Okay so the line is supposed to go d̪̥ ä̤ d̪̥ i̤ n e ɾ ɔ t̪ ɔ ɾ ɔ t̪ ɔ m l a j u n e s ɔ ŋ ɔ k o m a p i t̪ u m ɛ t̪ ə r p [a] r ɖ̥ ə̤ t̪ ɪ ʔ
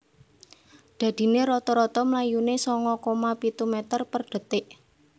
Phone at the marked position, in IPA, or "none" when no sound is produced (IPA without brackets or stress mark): ə